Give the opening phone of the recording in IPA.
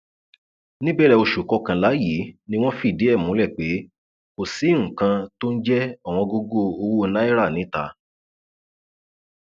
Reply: n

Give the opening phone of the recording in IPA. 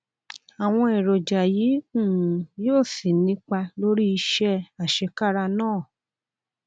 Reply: a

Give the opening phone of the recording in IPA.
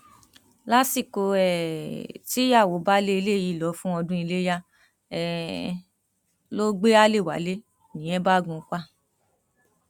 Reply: l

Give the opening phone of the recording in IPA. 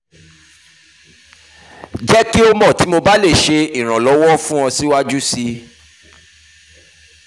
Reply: d͡ʒ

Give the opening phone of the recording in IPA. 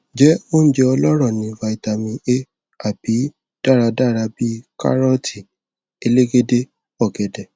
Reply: d͡ʒ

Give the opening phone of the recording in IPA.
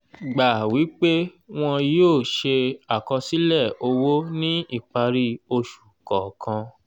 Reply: ɡ͡b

